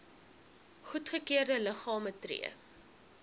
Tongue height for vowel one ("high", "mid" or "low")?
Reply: high